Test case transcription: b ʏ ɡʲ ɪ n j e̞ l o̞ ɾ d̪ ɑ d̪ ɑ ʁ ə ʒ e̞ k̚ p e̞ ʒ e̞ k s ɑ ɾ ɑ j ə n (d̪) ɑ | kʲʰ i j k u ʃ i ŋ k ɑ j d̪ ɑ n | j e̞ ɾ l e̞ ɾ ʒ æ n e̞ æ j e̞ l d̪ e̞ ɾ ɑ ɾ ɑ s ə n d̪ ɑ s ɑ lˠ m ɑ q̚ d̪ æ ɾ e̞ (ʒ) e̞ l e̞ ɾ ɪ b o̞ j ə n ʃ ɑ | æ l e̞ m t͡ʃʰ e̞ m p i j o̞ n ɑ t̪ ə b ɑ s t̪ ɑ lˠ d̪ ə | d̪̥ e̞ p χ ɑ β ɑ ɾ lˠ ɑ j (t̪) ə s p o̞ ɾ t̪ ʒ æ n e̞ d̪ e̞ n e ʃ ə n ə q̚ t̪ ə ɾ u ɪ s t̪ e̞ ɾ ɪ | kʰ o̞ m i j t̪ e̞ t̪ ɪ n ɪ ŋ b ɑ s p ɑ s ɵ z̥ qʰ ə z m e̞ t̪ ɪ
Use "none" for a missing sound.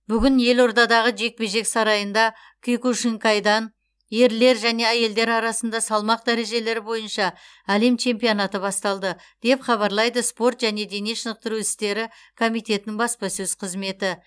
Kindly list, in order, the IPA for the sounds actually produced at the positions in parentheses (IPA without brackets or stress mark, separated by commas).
d̪, ʒ, d̪